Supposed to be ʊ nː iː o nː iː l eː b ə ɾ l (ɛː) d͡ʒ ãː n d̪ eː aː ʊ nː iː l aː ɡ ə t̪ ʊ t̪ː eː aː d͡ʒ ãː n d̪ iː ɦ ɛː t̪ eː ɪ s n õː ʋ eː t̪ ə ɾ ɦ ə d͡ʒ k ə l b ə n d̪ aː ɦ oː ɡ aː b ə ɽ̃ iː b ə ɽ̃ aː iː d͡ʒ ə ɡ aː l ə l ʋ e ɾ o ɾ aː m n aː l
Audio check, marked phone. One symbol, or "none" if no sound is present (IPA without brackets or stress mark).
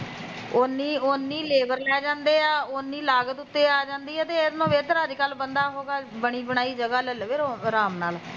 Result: ɛː